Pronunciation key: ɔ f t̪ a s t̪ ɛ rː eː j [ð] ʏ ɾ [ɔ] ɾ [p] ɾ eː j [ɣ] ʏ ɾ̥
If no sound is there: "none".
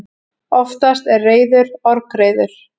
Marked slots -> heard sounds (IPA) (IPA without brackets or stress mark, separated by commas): ð, ɔ, k, ð